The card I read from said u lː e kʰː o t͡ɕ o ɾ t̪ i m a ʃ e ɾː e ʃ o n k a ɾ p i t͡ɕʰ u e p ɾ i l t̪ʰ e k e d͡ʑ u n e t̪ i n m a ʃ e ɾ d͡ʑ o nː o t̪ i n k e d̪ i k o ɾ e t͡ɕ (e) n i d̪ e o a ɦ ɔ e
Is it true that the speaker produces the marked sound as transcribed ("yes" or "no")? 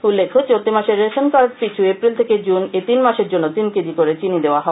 no